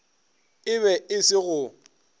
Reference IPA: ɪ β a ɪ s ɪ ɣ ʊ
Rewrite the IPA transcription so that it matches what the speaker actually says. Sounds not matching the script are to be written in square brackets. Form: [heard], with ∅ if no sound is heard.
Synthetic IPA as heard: ɪ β [ɛ] ɪ s ɪ ɣ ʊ